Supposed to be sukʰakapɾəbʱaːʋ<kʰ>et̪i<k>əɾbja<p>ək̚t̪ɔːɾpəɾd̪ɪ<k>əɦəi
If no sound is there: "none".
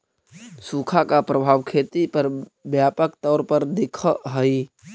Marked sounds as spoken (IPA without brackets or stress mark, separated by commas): kʰ, p, p, kʰ